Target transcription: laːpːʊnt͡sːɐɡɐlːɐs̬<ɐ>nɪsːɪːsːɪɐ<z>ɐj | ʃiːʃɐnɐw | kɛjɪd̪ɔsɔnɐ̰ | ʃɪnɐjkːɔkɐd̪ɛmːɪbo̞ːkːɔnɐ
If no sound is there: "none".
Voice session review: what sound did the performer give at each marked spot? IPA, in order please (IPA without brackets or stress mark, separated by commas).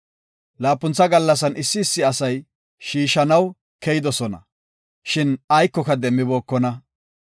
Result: ɐ, s